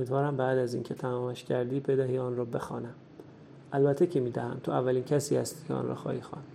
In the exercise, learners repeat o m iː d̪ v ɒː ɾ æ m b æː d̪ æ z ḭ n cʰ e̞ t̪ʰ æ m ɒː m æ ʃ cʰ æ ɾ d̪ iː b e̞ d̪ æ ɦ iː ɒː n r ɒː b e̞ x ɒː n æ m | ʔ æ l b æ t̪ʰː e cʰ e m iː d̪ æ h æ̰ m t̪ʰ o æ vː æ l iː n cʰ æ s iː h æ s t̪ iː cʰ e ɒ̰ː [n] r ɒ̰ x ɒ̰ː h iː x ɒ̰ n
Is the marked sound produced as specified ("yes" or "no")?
yes